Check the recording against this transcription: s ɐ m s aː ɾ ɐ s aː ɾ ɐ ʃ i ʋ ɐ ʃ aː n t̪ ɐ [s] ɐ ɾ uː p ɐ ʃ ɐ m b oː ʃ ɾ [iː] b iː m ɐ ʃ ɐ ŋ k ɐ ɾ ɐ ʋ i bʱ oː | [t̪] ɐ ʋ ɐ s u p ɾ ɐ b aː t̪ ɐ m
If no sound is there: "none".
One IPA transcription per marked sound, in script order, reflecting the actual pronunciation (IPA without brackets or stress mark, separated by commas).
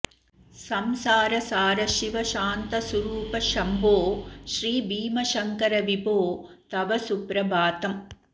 s, iː, t̪